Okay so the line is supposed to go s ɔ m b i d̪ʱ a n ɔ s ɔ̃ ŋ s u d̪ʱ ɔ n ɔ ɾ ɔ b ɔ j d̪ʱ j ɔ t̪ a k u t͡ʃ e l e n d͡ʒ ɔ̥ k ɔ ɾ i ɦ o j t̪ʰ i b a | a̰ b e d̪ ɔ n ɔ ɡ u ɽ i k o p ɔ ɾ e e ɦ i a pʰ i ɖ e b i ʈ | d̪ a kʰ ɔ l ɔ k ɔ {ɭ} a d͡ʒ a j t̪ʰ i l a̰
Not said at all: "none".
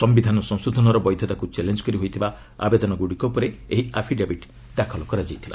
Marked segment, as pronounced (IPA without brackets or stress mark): ɾ